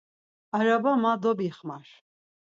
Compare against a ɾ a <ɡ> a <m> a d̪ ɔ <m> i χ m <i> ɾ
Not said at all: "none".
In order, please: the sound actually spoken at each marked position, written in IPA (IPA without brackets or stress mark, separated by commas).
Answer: b, m, b, a